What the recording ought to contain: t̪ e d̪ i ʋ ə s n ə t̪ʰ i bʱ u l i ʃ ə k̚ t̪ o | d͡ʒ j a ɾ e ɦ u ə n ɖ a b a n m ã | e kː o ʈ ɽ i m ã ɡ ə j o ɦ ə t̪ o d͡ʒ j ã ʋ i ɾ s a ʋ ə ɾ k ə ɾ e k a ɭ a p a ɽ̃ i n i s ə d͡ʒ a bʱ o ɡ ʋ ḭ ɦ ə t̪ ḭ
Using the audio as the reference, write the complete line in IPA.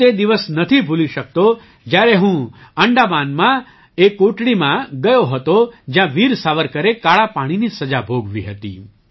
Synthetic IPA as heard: t̪ e d̪ i ʋ ə s n ə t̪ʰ i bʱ u l i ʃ ə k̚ t̪ o | d͡ʒ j a ɾ e ɦ ũ ə ɳ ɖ a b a n m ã | e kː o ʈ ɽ i m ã ɡ ə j o ɦ ə t̪ o d͡ʒ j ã ʋ i ɾ s a ʋ ə ɾ k ə ɾ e k a ɭ a p a ɽ̃ i n i s ə d͡ʒ a bʱ o ɡ ʋ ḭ ɦ ə t̪ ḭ